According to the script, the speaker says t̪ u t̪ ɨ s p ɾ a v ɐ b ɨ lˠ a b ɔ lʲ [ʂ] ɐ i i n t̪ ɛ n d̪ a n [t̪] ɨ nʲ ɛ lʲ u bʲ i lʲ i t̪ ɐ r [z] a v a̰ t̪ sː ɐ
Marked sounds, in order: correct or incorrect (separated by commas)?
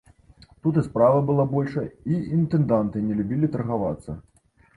correct, correct, incorrect